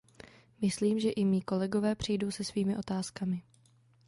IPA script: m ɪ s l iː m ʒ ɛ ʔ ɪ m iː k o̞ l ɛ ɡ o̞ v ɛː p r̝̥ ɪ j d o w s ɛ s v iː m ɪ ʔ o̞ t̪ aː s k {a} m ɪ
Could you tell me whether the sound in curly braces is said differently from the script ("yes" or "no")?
no